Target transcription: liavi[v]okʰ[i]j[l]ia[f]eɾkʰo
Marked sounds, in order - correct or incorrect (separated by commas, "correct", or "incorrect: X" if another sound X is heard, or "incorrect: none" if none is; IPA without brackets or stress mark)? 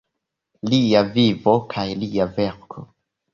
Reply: correct, incorrect: a, correct, incorrect: v